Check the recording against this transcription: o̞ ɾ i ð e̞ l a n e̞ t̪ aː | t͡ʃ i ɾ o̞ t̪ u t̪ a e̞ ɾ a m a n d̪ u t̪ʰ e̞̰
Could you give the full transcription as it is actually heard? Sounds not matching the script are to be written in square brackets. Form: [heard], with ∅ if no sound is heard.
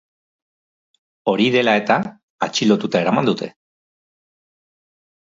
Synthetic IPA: o̞ ɾ i ð e̞ l a [∅] e̞ t̪ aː | t͡ʃ i [l] o̞ t̪ u t̪ a e̞ ɾ a m a n d̪ u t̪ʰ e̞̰